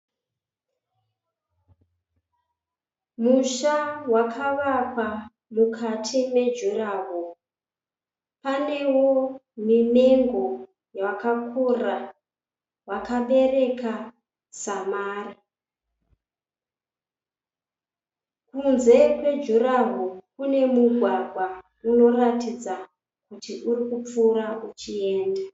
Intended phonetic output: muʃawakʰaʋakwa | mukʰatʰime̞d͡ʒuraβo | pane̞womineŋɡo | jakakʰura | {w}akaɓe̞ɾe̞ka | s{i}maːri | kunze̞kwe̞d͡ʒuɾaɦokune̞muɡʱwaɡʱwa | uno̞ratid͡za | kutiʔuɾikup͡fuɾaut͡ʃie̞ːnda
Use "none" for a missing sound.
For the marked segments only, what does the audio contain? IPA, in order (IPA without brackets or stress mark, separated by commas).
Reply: w, a